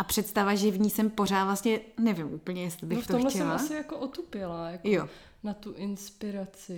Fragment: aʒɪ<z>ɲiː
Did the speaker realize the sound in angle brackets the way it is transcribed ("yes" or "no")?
no